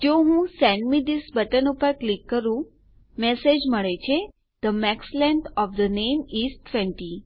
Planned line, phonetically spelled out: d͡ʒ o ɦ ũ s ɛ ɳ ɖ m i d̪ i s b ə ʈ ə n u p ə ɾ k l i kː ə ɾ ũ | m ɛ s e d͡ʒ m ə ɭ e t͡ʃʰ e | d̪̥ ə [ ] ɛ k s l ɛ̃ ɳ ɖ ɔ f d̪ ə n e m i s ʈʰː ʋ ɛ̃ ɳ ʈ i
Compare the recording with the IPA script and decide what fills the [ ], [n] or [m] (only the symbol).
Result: m